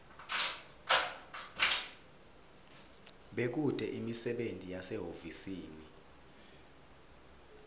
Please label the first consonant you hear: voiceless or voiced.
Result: voiced